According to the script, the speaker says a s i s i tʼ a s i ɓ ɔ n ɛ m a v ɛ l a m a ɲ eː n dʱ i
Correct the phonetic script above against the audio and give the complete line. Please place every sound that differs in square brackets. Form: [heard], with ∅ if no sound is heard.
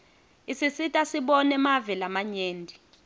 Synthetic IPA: [i] s i s i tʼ a s i ɓ ɔ n ɛ m a v ɛ l a m a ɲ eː n dʱ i